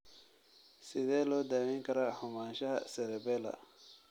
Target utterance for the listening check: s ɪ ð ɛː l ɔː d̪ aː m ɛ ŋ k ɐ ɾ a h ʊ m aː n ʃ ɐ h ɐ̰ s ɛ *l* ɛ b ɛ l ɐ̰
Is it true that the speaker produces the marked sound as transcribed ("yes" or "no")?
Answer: no